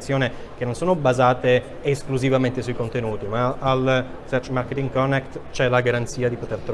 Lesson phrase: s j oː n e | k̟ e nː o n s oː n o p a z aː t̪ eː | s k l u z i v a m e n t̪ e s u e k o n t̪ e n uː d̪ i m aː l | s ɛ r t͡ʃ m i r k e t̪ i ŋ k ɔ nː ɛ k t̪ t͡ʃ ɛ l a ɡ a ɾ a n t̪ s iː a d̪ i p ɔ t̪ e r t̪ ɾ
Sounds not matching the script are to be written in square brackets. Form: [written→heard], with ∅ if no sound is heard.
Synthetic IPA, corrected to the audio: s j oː n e | k̟ e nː o n s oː n o [p→b] a z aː t̪ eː | s k l u z i v a m e n t̪ e s u [e→i] k o n t̪ e n uː [d̪→t̪] i m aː l | s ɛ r t͡ʃ m [i→a] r k e t̪ i ŋ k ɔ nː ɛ k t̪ t͡ʃ ɛ l a ɡ a ɾ a n t̪ s iː a d̪ i p [ɔ→o] t̪ e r t̪ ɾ